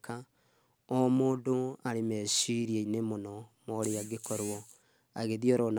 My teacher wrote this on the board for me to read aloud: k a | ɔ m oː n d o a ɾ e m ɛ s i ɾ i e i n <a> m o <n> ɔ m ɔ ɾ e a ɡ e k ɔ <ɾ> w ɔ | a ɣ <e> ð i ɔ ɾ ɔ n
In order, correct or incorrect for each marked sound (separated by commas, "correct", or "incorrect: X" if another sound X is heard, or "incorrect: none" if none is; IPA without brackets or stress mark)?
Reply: incorrect: e, correct, correct, correct